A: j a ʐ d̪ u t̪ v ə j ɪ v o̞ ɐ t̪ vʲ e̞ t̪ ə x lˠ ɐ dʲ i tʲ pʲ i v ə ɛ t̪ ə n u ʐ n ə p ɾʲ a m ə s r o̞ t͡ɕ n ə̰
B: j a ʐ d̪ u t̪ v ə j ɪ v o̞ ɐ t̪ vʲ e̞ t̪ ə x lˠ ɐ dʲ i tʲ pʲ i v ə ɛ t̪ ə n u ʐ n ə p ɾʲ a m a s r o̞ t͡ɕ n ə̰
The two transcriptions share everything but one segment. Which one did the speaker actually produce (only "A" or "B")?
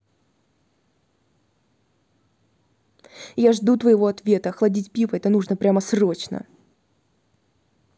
A